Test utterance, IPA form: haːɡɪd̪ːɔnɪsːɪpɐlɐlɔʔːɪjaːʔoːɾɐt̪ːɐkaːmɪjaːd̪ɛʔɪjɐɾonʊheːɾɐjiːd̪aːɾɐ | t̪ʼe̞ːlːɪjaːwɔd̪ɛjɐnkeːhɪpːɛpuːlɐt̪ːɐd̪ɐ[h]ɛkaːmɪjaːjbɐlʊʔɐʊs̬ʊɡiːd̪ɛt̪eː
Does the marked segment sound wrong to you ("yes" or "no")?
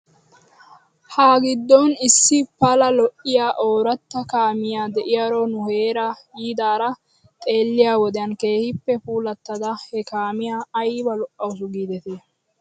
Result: no